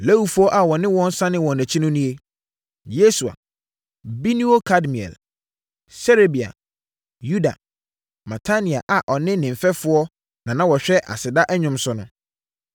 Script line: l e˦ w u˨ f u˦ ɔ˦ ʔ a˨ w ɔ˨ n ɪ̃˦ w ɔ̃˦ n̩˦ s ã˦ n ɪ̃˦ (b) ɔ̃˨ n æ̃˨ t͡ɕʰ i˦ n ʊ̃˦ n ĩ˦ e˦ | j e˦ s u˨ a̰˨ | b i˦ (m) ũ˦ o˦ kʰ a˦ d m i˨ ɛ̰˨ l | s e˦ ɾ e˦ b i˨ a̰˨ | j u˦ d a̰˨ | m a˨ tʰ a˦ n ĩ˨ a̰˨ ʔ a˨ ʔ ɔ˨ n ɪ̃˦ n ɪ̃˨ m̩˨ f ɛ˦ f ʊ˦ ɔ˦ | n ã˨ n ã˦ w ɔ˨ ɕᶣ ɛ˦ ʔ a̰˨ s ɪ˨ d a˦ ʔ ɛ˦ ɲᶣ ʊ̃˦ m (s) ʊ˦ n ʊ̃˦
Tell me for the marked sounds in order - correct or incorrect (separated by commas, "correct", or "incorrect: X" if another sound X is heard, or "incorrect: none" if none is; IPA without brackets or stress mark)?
incorrect: w, incorrect: n, correct